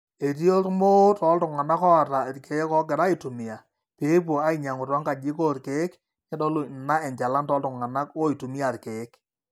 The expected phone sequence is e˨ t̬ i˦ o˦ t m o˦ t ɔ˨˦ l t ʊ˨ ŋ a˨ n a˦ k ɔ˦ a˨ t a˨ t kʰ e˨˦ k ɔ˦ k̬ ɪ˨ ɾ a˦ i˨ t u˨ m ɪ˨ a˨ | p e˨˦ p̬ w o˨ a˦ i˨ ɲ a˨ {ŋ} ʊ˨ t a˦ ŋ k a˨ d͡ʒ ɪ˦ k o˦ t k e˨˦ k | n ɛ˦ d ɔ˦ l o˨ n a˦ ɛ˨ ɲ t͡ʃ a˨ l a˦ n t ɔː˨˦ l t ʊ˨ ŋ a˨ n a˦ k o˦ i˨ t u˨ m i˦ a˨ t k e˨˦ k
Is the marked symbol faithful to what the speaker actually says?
yes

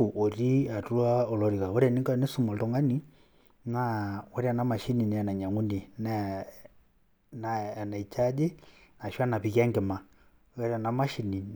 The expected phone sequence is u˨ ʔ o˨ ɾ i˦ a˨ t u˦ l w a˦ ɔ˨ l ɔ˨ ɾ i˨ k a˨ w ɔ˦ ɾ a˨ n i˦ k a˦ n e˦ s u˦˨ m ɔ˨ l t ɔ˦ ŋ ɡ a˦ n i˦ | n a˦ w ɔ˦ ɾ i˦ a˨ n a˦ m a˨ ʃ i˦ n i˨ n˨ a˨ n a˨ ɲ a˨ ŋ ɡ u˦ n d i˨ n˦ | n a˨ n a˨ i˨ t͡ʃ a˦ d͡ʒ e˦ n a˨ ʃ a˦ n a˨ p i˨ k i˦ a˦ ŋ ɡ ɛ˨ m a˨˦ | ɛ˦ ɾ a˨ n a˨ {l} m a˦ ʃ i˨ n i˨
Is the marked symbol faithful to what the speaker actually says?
no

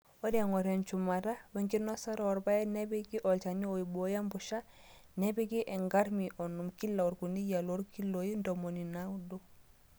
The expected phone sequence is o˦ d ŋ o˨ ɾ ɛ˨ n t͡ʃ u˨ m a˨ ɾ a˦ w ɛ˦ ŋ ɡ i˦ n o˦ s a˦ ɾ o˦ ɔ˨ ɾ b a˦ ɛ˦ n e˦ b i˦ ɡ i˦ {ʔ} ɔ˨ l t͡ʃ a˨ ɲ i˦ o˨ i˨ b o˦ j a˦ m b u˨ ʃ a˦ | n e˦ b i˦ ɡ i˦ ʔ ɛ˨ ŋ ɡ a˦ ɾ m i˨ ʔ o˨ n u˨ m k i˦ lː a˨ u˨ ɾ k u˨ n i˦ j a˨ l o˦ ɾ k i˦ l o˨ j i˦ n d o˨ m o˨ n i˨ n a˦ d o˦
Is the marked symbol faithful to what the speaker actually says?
yes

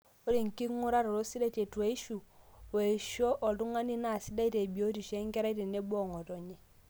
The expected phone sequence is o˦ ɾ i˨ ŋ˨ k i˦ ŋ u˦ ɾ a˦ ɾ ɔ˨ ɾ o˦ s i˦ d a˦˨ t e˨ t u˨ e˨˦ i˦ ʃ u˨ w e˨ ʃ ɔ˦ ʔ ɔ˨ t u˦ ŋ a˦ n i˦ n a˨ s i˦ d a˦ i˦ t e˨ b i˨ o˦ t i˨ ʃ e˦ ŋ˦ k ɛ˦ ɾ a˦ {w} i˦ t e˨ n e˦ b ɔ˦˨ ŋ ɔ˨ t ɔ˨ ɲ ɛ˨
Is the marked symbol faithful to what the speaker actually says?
no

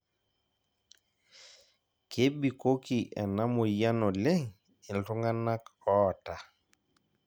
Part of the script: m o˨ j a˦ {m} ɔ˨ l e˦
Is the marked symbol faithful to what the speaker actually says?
no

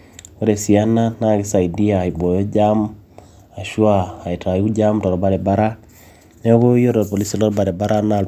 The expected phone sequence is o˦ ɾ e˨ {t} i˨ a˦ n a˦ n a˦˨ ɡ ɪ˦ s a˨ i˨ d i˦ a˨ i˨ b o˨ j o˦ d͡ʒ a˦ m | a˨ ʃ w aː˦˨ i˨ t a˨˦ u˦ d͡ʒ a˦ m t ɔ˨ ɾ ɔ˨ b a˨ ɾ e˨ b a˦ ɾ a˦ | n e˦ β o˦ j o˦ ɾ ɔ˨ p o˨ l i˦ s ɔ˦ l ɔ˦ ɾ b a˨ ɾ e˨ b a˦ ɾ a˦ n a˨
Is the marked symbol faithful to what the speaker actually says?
no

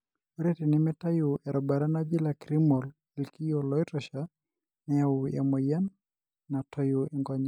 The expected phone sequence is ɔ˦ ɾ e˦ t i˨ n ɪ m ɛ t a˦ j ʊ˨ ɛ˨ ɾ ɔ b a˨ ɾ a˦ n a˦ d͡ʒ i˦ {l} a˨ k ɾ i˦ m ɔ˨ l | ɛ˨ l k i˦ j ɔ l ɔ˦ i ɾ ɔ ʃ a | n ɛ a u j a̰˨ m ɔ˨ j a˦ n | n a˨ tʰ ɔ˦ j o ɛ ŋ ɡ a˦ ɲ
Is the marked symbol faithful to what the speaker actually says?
yes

